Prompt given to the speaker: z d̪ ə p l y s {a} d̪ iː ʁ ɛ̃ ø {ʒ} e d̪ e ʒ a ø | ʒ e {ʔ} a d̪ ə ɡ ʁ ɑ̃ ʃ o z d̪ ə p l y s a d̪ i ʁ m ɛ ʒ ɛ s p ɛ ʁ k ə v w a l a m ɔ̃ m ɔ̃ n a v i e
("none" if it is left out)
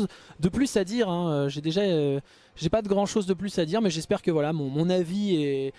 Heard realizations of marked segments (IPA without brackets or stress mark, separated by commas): a, ʒ, p